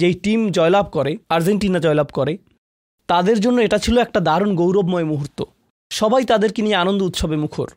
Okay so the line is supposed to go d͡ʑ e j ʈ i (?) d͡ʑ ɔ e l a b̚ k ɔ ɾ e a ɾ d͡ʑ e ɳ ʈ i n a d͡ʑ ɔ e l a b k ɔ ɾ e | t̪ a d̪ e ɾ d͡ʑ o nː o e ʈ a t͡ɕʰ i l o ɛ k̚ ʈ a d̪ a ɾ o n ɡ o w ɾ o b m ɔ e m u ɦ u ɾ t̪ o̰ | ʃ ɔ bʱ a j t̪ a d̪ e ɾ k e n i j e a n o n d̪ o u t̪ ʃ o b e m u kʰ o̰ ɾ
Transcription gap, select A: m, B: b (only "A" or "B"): A